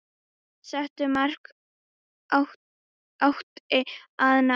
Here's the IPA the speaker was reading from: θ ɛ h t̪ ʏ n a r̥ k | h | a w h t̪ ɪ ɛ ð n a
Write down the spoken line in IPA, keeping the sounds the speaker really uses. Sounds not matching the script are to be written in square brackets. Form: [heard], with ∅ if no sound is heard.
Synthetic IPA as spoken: [s] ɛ h t̪ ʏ [m] a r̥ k | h | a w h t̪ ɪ [a] ð n a